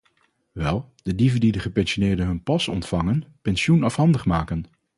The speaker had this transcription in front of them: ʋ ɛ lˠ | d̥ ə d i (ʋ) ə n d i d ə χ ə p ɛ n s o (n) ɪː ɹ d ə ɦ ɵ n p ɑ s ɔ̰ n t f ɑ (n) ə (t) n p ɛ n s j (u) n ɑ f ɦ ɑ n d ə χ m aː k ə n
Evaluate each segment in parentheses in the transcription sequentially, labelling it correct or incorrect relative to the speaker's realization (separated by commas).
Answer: incorrect, correct, incorrect, incorrect, correct